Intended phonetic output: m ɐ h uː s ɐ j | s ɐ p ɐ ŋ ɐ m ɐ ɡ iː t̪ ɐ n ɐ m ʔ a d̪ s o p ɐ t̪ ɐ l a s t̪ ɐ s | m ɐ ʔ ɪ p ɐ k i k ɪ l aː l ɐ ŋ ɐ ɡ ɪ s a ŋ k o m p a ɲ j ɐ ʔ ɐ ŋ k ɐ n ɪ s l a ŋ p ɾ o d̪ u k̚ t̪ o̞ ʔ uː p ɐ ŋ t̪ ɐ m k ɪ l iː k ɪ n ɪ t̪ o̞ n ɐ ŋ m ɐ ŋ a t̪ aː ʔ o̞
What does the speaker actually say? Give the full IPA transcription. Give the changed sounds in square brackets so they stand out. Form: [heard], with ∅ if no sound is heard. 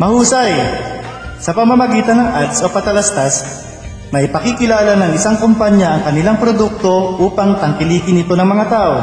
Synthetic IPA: m ɐ h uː s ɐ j | s ɐ p ɐ [m] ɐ m ɐ ɡ iː t̪ ɐ n ɐ [ŋ] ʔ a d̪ s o p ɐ t̪ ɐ l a s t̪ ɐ s | m ɐ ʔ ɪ p ɐ k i k ɪ l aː l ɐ [n] ɐ [ŋ] ɪ s a ŋ k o m p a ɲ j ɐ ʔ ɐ ŋ k ɐ n ɪ [∅] l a ŋ p ɾ o d̪ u k̚ t̪ o̞ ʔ uː p ɐ ŋ t̪ ɐ [ŋ] k ɪ l iː k ɪ n ɪ t̪ o̞ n ɐ ŋ m ɐ ŋ a t̪ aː ʔ o̞